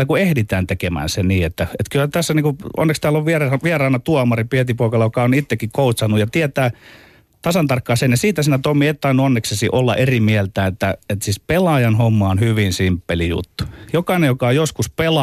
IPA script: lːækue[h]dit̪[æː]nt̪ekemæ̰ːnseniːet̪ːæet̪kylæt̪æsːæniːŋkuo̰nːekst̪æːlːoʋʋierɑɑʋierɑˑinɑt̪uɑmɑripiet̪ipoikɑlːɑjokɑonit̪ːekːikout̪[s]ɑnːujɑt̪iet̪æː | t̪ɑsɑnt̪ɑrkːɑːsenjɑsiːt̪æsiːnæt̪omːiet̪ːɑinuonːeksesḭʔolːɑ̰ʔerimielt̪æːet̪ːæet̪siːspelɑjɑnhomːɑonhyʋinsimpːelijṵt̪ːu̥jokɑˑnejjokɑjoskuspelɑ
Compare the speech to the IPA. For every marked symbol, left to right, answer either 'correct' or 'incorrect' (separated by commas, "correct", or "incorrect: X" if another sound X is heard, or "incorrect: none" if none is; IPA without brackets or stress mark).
correct, correct, correct